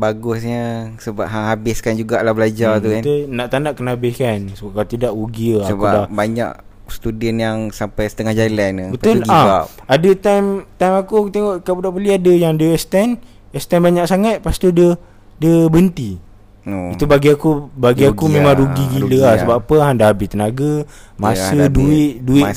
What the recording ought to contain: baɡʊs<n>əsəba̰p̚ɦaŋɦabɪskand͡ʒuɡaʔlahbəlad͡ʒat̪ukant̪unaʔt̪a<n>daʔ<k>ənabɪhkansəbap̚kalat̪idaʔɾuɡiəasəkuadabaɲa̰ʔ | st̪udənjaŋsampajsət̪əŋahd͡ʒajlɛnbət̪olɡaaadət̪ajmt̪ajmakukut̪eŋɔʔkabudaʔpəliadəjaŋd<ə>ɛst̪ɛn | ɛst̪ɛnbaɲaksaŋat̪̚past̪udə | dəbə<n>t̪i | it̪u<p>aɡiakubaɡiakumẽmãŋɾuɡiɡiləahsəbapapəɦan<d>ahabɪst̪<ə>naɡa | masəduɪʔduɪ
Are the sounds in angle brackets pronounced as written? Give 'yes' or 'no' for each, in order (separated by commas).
no, yes, yes, yes, yes, no, yes, yes